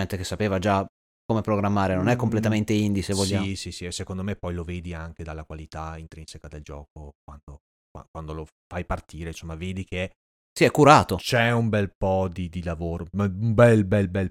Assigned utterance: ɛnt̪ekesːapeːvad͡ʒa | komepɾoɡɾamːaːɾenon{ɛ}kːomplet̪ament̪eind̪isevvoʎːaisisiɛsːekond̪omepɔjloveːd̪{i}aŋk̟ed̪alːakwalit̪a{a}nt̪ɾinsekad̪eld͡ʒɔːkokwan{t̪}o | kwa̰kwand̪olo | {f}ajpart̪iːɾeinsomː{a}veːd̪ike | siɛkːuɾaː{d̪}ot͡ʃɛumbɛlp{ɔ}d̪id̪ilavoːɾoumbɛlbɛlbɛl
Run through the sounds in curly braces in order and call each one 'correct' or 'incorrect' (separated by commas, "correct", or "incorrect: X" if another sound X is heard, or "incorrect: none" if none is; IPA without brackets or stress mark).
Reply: correct, correct, incorrect: i, incorrect: d̪, correct, correct, incorrect: t̪, correct